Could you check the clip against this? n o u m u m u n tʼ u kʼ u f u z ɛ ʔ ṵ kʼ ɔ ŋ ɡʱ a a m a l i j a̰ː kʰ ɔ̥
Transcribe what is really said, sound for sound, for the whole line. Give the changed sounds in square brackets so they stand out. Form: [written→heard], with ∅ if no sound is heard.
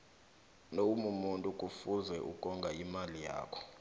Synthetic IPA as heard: n o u m u m u n tʼ u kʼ u f u z ɛ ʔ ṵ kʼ ɔ ŋ ɡʱ a [a→i] m a l i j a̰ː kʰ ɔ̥